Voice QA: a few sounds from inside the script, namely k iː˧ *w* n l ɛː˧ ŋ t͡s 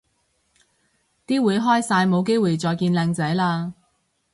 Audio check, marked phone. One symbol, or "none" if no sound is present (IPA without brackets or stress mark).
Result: none